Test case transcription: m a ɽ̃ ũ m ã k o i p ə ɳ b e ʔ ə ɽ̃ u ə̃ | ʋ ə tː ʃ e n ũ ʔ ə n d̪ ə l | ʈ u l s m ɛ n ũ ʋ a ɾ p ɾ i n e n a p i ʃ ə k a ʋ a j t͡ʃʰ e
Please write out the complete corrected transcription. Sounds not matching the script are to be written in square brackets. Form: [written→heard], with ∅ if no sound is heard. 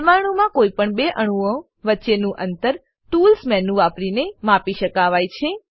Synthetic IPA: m a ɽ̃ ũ m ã k o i p ə ɳ b e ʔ ə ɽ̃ u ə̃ | ʋ ə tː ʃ e n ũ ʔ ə n [d̪→t̪] ə [l→ɾ] | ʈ u l s m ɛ n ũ ʋ a [ɾ→∅] p ɾ i n e [n→m] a p i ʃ ə k a ʋ a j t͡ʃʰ e

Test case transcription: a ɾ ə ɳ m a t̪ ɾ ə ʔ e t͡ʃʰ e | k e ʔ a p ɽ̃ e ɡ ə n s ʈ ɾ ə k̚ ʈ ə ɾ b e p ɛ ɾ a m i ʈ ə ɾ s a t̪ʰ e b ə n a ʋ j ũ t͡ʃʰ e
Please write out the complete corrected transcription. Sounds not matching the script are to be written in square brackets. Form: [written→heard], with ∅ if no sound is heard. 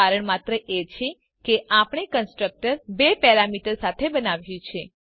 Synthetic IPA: a ɾ ə ɳ m a t̪ ɾ ə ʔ e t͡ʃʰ e | k e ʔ a p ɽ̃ e [ɡ→k] ə n s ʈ ɾ ə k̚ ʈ ə ɾ b e p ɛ ɾ a m i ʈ ə ɾ s a t̪ʰ e b ə n a ʋ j ũ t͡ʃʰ e

